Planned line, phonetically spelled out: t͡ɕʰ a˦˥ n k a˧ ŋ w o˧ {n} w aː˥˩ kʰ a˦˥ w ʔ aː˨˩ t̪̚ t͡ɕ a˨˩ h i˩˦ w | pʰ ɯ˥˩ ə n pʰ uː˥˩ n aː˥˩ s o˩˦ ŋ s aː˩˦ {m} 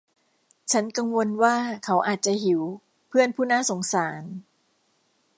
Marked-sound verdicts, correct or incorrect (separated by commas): correct, incorrect